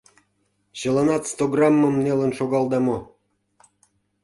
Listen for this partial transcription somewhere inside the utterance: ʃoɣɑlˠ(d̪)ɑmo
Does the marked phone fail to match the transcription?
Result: no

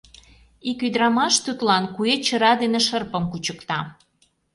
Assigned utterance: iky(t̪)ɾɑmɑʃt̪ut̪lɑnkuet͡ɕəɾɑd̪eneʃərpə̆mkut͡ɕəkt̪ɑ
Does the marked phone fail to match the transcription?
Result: yes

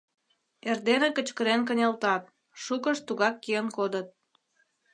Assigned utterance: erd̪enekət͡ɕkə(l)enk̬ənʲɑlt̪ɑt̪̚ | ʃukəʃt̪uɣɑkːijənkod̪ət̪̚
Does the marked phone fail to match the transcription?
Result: yes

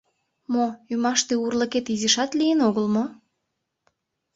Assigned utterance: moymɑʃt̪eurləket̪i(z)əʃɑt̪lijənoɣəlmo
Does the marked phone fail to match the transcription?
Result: no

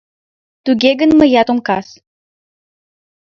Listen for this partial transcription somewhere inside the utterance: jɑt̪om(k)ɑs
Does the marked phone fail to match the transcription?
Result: no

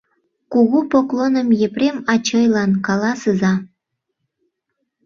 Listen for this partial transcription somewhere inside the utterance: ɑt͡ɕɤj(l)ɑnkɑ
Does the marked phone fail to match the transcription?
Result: no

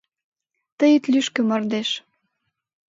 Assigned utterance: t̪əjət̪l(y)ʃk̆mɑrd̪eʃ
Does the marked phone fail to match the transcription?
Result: no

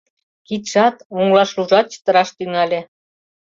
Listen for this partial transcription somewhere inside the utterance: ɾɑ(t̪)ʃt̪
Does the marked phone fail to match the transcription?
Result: yes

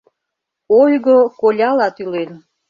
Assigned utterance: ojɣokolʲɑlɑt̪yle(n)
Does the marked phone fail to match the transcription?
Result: no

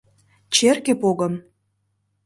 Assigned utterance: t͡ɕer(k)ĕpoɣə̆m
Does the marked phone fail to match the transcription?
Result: no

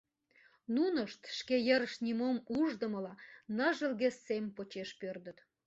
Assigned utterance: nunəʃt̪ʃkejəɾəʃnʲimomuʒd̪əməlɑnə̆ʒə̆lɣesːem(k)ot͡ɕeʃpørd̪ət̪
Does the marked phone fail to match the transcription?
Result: yes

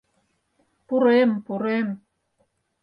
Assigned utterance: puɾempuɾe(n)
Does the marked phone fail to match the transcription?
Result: yes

